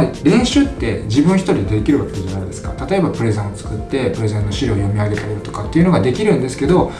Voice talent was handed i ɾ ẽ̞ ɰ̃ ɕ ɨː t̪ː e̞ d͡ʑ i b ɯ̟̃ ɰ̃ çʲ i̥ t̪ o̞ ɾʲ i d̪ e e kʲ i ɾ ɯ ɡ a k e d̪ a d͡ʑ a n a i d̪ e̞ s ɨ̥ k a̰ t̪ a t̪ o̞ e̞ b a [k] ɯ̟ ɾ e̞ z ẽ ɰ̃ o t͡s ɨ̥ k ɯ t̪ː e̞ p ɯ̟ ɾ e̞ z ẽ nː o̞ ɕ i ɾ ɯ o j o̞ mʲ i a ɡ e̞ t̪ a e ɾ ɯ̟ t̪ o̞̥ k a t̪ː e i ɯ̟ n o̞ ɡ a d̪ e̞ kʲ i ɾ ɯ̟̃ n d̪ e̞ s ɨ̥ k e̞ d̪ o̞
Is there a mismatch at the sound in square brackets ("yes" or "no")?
yes